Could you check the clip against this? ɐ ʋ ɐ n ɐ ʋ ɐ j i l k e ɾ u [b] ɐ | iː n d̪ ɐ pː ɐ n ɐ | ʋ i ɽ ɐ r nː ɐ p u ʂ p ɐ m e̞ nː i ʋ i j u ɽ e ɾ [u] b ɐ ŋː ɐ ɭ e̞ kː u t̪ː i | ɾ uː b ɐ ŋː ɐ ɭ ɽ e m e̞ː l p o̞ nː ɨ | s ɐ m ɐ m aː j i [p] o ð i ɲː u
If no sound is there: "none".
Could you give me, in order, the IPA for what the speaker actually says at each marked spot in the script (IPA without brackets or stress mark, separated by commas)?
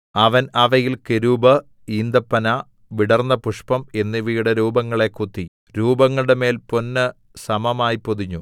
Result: b, uː, p